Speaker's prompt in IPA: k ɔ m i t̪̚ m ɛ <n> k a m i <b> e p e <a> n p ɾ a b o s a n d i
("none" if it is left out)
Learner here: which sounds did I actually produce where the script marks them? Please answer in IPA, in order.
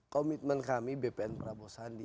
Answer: n, b, ɛ

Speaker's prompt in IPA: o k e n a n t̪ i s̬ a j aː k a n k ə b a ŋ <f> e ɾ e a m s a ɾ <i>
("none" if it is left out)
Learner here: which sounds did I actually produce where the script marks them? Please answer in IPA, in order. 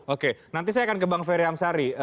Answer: f, i

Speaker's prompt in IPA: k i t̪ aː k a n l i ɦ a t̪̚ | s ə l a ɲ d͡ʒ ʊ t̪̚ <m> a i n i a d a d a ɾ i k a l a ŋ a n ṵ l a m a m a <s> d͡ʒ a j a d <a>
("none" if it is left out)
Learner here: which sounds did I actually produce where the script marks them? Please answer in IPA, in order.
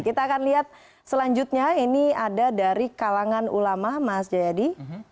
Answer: ɲ, s, i

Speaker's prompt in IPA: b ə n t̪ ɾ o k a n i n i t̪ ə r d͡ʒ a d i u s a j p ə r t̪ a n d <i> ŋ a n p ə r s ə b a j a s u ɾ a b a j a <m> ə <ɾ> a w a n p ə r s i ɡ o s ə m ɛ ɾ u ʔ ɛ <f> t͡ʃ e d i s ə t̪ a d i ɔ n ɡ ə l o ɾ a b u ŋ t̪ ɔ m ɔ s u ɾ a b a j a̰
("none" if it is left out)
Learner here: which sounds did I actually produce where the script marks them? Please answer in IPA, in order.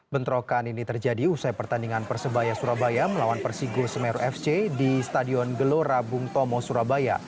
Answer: i, m, l, f

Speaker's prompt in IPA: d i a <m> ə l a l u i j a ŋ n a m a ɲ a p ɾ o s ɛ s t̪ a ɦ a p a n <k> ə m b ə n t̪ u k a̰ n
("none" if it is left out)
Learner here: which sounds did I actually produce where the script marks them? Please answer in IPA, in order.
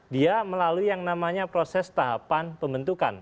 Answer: m, p

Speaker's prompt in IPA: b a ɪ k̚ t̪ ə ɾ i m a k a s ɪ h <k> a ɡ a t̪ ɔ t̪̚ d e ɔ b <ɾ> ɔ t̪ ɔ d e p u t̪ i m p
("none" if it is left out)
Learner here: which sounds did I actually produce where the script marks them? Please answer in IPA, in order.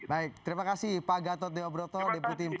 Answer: p, ɾ

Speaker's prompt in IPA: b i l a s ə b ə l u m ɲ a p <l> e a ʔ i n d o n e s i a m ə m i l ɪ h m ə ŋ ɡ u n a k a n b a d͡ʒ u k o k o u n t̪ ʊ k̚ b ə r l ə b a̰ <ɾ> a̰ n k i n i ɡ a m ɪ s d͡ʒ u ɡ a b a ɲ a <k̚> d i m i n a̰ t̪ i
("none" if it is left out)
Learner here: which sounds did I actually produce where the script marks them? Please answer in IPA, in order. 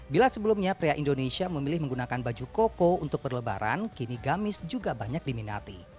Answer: ɾ, ɾ, k̚

